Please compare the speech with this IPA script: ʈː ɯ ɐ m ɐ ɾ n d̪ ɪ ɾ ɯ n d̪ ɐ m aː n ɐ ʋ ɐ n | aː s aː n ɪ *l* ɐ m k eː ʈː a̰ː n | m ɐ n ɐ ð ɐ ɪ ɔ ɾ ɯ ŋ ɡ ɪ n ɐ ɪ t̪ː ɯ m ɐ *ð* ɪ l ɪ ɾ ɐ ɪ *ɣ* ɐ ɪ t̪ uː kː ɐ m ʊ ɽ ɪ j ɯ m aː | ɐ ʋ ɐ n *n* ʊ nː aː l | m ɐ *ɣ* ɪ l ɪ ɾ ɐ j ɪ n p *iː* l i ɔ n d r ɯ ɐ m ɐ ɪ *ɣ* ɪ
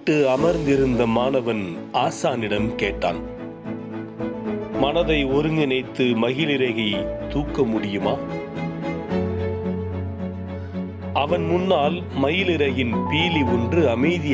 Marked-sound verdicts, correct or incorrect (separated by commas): incorrect, incorrect, correct, incorrect, correct, correct, incorrect